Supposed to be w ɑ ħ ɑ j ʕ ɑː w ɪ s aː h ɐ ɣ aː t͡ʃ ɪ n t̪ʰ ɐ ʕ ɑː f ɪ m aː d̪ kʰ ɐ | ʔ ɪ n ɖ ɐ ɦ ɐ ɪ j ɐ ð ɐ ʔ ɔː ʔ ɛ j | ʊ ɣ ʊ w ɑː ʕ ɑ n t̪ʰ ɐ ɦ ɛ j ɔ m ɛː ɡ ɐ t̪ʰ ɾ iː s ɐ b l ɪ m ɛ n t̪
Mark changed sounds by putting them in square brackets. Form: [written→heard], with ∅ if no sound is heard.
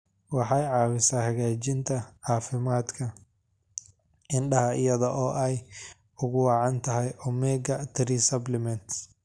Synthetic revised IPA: w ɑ ħ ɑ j ʕ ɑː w ɪ s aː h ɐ ɣ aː t͡ʃ ɪ n t̪ʰ ɐ ʕ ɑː f ɪ m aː d̪ kʰ ɐ | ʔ ɪ n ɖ ɐ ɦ ɐ ɪ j ɐ ð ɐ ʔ ɔː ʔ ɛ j | ʊ ɣ ʊ w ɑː ʕ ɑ n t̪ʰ ɐ ɦ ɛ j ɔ m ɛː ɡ ɐ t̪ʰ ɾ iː s ɐ b l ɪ m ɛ n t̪

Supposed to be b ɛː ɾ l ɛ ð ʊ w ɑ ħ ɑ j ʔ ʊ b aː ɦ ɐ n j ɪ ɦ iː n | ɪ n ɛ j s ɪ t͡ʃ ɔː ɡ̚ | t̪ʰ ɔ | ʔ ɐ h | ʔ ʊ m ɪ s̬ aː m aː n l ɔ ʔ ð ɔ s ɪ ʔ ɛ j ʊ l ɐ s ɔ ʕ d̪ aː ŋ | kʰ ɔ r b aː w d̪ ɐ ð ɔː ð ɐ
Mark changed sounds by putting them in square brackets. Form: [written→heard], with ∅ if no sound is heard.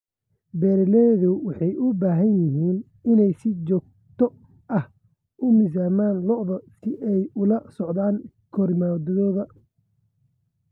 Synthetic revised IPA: b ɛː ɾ l ɛ ð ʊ w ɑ ħ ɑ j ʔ ʊ b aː ɦ ɐ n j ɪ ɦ iː n | ɪ n ɛ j s ɪ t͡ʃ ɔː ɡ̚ | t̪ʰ ɔ | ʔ ɐ h | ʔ ʊ m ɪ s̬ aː m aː n l ɔ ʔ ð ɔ s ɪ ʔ ɛ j ʊ l ɐ s ɔ ʕ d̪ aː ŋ | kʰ ɔ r [b→m] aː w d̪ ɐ ð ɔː ð ɐ

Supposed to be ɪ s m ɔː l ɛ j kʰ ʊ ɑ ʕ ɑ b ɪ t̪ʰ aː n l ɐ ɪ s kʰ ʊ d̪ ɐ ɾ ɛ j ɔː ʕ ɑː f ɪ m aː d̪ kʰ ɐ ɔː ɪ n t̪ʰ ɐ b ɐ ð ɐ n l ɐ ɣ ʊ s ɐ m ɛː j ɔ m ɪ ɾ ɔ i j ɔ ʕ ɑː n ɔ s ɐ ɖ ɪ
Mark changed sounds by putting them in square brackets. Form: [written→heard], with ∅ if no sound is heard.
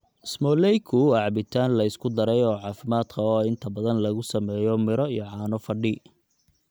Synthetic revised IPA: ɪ s m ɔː l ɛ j kʰ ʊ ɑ ʕ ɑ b ɪ t̪ʰ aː n l ɐ ɪ s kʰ ʊ d̪ ɐ ɾ ɛ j ɔː ʕ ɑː f ɪ m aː d̪ kʰ ɐ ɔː ɪ n t̪ʰ ɐ b ɐ ð ɐ n l ɐ ɣ ʊ s ɐ m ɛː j ɔ m ɪ ɾ ɔ i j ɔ ʕ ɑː n ɔ [s→f] ɐ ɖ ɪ

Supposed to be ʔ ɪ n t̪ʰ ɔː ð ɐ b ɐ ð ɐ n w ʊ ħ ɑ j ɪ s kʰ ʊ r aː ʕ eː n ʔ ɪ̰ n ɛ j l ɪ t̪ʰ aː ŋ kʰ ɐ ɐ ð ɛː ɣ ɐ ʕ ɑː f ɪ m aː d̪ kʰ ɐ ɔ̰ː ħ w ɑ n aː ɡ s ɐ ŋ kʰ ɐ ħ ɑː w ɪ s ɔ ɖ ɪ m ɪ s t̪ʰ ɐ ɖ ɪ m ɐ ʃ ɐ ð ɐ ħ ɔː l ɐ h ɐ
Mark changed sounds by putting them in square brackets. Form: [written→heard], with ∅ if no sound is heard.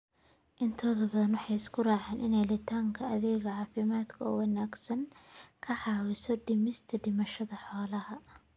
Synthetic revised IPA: ʔ ɪ n t̪ʰ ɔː ð ɐ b ɐ ð ɐ n w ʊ ħ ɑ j ɪ s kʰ ʊ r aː ʕ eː n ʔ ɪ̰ n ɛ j l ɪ t̪ʰ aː ŋ kʰ ɐ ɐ ð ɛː ɣ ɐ ʕ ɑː f ɪ m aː d̪ kʰ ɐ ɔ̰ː [ħ→∅] w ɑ n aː ɡ s ɐ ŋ kʰ ɐ ħ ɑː w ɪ s ɔ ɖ ɪ m ɪ s t̪ʰ ɐ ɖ ɪ m ɐ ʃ ɐ ð ɐ ħ ɔː l ɐ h ɐ

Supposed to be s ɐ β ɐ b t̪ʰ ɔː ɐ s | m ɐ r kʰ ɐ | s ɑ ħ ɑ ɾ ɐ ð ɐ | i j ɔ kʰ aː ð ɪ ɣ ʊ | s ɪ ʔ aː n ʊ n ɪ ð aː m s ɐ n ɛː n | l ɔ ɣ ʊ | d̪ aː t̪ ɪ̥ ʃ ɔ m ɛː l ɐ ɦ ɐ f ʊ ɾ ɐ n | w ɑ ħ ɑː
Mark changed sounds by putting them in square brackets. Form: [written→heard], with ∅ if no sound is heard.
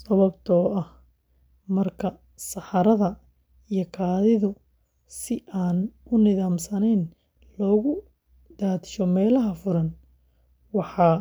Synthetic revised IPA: s ɐ β ɐ b t̪ʰ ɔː ɐ [s→h] | m ɐ r kʰ ɐ | s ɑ ħ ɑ ɾ ɐ ð ɐ | i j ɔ kʰ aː ð ɪ [ɣ→ð] ʊ | s ɪ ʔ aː n ʊ n ɪ ð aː m s ɐ n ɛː n | l [ɔ→ɔː] ɣ ʊ | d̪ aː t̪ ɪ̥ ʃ ɔ m ɛː l ɐ ɦ ɐ f ʊ ɾ ɐ n | w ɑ ħ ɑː

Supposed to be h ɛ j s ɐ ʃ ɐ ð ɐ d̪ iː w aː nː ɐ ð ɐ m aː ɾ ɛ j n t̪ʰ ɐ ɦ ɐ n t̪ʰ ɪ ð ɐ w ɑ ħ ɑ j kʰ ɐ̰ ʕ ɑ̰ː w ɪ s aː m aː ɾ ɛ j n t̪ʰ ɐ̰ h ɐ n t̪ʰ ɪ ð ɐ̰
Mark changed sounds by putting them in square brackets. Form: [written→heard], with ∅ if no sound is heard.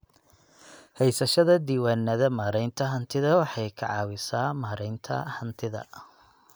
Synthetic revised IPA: h ɛ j s ɐ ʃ ɐ ð ɐ d̪ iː w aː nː ɐ ð ɐ m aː ɾ ɛ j n t̪ʰ ɐ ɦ ɐ n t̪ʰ ɪ ð ɐ w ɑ ħ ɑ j kʰ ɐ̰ ʕ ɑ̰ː w ɪ s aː m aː ɾ ɛ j n t̪ʰ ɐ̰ h ɐ n t̪ʰ ɪ ð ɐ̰

